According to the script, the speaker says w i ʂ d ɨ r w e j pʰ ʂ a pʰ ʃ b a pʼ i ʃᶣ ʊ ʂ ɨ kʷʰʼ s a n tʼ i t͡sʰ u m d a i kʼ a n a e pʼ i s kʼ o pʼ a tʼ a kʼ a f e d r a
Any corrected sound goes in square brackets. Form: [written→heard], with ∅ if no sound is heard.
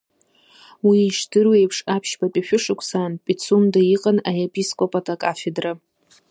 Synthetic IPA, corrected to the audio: w i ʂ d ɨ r w e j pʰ ʂ a pʰ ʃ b a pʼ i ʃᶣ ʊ ʂ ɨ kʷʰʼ s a n [tʼ→pʼ] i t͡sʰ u m d a i [kʼ→qʼ] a n a e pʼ i s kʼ o pʼ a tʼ a kʼ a f e d r a